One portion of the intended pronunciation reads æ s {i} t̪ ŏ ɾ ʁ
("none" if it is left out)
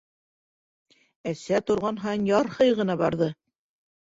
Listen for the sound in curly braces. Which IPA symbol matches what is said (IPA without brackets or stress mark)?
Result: æ